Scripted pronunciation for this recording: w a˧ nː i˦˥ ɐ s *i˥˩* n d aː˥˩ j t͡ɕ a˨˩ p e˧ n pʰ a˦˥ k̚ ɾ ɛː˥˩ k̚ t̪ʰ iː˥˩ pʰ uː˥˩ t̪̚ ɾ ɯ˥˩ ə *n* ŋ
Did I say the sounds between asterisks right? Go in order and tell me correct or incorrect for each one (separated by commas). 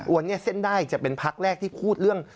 incorrect, incorrect